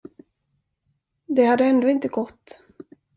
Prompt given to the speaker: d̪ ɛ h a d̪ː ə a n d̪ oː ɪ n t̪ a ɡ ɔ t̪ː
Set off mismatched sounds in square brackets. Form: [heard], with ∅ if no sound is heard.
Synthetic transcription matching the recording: d̪ ɛ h a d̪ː ə [ɛ] n d̪ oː ɪ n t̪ [ə] ɡ ɔ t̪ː